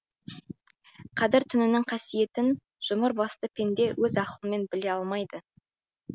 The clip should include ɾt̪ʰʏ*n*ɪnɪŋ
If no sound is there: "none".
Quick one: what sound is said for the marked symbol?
n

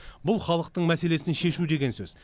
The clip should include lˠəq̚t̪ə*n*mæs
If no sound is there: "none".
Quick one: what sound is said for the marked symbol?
ɴ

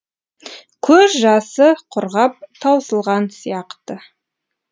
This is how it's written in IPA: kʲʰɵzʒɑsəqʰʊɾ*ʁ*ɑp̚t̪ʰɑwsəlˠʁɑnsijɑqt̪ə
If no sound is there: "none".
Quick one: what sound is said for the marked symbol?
ʁ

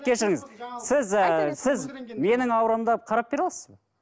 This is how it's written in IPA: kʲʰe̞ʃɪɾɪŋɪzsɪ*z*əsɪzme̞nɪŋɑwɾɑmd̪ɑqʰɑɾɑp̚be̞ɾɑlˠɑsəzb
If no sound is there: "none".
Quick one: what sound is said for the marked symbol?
z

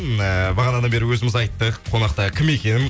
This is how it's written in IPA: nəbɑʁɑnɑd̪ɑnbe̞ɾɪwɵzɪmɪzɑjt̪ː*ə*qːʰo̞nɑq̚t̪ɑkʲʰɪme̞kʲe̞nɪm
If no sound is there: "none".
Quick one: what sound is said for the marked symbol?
ə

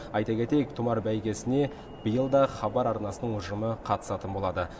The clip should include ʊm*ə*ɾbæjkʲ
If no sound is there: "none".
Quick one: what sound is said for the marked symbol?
ɑ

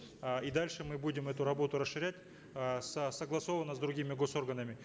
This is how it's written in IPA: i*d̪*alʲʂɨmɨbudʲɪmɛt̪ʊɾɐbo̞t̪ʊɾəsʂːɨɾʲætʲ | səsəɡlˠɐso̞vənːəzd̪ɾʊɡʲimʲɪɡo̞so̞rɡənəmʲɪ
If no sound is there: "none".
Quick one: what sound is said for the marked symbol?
d̪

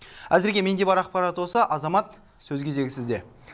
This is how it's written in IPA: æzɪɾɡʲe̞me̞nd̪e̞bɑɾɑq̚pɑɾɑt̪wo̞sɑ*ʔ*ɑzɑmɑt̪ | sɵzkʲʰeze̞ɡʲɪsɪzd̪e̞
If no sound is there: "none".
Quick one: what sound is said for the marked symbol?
ʔ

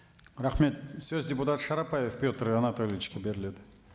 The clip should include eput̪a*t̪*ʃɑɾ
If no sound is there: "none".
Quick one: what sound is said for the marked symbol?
t̪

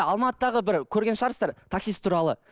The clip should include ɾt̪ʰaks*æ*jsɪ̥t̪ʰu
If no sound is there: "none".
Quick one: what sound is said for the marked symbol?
i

